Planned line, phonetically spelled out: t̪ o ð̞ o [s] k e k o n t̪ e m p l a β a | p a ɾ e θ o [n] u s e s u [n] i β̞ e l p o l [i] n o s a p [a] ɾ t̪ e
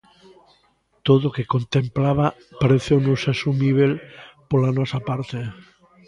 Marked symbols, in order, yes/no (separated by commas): no, yes, no, no, yes